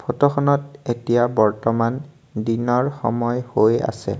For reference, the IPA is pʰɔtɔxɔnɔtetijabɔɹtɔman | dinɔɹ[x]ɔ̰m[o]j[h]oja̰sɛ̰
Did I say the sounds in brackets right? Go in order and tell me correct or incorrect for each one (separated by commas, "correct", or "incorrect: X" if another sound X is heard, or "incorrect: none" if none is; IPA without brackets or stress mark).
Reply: correct, incorrect: ɔ, correct